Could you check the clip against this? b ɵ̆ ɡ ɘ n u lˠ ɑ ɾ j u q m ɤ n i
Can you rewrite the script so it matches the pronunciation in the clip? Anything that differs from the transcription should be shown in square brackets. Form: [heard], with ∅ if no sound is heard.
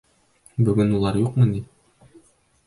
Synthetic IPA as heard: b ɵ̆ ɡ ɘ n u lˠ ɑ ɾ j u q m ɤ n i